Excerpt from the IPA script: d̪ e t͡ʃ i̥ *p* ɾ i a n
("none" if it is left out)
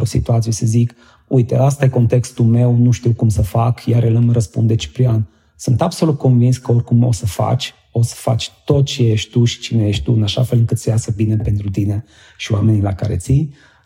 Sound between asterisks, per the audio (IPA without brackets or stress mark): p